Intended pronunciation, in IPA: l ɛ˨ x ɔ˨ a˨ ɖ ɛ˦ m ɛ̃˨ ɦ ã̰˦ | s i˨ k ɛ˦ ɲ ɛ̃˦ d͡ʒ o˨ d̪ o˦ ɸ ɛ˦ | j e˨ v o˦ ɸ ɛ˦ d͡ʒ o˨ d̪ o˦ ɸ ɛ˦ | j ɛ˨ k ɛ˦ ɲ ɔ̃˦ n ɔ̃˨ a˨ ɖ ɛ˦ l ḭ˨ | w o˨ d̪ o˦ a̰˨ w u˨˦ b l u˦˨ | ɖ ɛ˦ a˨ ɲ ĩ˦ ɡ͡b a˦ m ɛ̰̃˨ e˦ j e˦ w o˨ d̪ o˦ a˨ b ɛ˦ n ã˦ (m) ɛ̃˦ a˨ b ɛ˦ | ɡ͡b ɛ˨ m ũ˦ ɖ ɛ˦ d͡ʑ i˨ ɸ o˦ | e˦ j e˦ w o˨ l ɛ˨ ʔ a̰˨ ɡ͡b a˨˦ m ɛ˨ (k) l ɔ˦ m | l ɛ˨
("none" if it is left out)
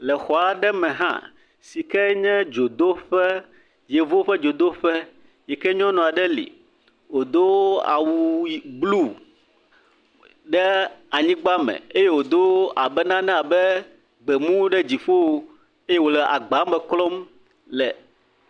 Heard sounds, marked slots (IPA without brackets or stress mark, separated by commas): n, k